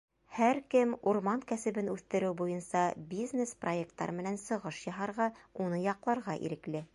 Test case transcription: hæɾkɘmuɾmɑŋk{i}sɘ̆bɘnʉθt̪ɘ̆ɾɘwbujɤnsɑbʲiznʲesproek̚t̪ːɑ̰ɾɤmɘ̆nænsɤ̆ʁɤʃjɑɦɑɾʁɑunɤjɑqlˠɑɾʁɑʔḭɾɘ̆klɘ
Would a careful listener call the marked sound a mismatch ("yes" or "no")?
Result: yes